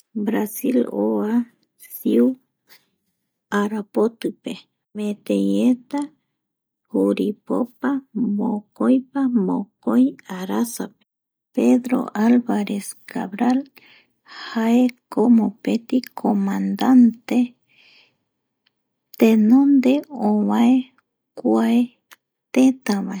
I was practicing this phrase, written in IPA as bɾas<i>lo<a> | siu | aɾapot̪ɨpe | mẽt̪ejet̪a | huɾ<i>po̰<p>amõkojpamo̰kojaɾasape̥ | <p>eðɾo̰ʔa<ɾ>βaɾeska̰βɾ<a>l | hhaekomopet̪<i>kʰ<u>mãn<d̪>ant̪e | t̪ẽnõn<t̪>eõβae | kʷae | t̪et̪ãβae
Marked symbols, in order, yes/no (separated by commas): yes, yes, yes, yes, yes, no, yes, yes, no, yes, no